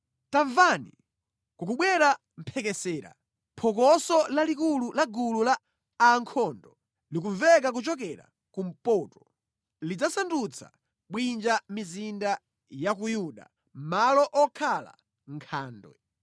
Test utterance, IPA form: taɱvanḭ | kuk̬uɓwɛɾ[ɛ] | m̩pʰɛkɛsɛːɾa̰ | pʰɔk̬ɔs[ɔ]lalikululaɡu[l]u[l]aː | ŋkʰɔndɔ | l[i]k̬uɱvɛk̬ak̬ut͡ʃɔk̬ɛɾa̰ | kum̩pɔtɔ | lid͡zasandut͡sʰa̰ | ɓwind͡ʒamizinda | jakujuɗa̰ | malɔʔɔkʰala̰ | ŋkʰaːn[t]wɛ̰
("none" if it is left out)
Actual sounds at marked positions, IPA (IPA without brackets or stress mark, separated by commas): a, ɔ, l, l, i, d